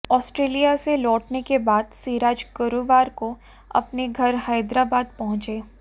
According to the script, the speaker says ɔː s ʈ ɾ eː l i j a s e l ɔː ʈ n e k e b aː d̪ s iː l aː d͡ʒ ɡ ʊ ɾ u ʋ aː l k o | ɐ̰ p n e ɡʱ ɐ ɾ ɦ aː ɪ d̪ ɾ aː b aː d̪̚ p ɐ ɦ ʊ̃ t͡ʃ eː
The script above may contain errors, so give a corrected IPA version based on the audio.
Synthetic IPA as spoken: ɔː s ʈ ɾ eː l i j a s e l ɔː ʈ n e k e b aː d̪ s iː ɾ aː d͡ʒ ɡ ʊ ɾ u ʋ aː ɾ k o | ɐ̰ p n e ɡʱ ɐ ɾ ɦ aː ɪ d̪ ɾ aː b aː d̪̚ p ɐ ɦ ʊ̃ t͡ʃ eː